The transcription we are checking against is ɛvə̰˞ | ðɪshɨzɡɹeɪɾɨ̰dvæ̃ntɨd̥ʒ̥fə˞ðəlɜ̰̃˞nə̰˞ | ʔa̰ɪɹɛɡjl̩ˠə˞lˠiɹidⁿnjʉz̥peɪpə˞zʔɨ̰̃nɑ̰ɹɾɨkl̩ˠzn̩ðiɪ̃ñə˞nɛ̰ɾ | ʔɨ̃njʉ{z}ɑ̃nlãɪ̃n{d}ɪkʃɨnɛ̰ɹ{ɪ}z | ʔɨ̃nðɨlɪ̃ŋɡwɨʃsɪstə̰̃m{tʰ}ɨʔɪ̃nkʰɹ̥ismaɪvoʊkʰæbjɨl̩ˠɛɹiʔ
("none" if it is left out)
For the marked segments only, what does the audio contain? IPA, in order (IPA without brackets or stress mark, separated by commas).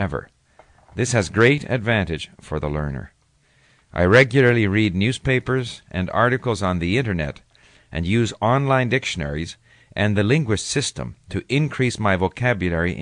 z, d, i, tʰ